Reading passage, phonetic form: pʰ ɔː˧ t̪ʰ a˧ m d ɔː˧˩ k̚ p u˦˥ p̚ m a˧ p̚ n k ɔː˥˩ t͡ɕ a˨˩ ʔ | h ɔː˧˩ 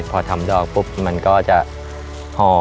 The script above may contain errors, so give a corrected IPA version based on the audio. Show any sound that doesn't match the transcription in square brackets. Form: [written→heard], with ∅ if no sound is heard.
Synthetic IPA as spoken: pʰ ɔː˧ t̪ʰ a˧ m d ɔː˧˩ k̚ p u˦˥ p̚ m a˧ [p̚→∅] n k ɔː˥˩ t͡ɕ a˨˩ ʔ | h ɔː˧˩